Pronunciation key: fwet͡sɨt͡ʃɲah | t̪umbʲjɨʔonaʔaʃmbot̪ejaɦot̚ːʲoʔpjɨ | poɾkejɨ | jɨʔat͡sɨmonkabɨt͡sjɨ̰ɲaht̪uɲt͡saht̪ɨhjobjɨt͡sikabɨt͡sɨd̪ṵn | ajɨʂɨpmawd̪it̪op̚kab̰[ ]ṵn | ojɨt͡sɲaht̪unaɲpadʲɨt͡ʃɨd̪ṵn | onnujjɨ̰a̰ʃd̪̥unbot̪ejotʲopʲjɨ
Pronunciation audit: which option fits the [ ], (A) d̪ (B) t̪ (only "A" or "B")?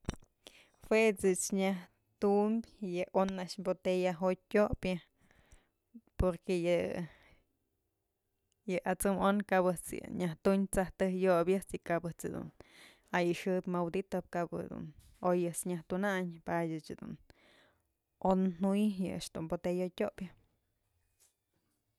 A